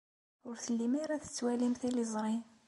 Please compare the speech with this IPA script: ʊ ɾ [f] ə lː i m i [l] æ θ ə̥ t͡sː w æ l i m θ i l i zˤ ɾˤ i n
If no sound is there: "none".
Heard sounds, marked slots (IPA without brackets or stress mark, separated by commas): θ, ɾ